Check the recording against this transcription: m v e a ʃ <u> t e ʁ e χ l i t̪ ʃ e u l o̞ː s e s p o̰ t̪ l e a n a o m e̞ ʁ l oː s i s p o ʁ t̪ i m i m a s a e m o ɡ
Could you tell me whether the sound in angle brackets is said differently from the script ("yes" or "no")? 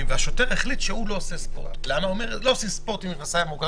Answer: yes